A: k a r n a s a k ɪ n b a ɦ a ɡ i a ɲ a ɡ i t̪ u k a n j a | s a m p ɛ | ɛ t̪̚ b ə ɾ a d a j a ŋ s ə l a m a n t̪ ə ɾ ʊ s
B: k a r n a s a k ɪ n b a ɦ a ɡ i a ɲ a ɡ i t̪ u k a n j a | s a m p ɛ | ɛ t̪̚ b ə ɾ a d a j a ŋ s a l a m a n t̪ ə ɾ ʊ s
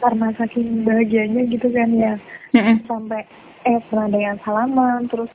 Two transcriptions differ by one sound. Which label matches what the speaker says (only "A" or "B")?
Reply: B